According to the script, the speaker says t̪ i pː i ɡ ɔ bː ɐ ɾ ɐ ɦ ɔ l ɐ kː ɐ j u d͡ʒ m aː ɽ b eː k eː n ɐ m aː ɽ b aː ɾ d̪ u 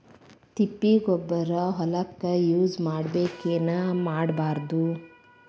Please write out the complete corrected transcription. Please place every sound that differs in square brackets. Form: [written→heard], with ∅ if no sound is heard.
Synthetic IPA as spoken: t̪ i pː i ɡ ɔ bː ɐ ɾ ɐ ɦ ɔ l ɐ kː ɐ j [u→uː] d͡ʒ m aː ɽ b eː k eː n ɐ m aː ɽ b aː ɾ d̪ u

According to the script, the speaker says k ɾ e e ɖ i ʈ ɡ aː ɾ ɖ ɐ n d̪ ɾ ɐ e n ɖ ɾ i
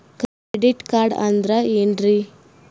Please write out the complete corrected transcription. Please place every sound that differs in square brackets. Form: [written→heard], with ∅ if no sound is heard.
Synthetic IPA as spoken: k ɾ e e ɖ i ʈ [ɡ→k] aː ɾ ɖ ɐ n d̪ ɾ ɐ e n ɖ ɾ i

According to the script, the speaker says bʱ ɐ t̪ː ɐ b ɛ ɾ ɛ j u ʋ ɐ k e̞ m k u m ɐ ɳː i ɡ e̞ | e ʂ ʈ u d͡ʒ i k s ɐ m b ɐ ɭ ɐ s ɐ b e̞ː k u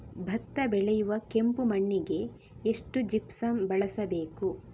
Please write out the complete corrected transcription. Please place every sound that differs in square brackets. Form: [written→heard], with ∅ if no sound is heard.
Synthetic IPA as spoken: bʱ ɐ t̪ː ɐ b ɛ [ɾ→ɭ] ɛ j u ʋ ɐ k e̞ m [k→p] u m ɐ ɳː i ɡ e̞ | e ʂ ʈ u d͡ʒ i [k→p] s ɐ m b ɐ ɭ ɐ s ɐ b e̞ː k u

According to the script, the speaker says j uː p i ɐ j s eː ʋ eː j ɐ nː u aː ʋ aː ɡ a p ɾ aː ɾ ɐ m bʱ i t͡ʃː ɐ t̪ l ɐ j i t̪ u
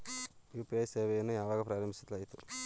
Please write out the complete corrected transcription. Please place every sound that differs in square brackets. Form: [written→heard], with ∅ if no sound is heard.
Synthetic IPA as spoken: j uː p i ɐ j s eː ʋ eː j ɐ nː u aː ʋ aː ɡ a p ɾ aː ɾ ɐ m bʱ i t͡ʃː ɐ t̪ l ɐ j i t̪ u

